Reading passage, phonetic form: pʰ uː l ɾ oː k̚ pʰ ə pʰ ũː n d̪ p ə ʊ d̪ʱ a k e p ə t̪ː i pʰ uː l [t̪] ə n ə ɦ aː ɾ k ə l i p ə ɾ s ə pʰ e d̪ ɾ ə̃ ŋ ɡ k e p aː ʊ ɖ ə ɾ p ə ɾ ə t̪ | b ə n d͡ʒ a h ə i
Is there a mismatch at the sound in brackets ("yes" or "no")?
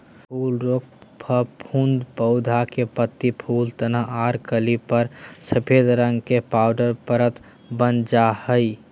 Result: no